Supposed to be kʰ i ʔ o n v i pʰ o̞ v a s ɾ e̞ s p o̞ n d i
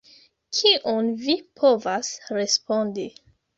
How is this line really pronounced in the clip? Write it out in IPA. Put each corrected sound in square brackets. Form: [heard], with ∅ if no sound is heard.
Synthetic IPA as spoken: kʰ i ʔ o n v i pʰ o̞ v a s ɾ e̞ s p o̞ n d i

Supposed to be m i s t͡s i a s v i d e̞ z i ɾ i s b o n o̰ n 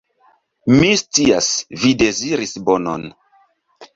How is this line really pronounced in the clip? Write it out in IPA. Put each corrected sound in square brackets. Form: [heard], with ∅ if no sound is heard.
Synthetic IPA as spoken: m i s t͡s i a s v i d e̞ z i ɾ i s b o n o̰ n

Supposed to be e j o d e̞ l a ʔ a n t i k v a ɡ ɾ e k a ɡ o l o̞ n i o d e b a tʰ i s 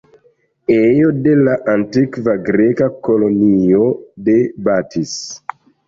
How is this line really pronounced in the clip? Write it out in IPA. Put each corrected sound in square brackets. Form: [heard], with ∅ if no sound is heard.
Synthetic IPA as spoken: e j o d e̞ l a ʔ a n t i k v a ɡ ɾ e k a [k] o l o̞ n i o d e b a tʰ i s

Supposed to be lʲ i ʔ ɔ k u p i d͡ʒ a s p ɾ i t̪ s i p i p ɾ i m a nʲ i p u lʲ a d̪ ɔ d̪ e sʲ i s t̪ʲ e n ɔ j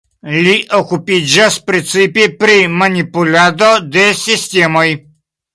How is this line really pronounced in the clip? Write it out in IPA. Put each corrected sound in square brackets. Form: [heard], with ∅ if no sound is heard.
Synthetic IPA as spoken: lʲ i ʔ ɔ k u p i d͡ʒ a s p ɾ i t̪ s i p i p ɾ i m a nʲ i p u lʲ a d̪ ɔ d̪ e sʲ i s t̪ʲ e [m] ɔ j

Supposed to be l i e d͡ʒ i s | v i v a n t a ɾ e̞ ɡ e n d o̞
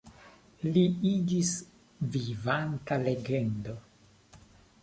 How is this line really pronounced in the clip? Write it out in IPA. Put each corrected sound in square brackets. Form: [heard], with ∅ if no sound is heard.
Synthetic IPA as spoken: l i [i] d͡ʒ i s | v i v a n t a [l] e̞ ɡ e n d o̞

